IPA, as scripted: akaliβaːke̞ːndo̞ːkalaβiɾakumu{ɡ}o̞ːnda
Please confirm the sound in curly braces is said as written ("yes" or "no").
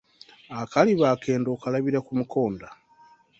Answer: no